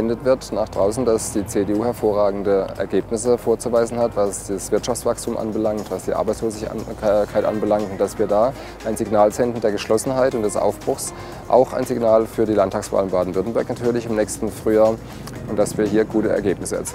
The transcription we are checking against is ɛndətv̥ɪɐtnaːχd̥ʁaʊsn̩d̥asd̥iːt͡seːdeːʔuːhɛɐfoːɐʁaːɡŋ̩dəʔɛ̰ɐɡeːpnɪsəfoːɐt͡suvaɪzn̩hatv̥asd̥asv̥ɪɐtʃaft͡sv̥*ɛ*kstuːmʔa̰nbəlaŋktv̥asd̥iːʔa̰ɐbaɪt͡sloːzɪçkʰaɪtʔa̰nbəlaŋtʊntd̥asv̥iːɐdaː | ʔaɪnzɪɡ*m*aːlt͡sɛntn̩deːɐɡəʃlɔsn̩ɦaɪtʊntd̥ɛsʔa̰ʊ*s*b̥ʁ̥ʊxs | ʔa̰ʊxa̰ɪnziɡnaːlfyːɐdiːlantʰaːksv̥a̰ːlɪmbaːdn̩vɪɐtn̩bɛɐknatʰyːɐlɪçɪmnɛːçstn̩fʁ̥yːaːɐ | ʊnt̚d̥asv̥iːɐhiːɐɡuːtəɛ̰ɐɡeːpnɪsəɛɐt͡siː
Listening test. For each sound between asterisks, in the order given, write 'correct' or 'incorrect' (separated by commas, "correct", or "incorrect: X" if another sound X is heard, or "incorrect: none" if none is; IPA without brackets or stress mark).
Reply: incorrect: a, incorrect: n, incorrect: f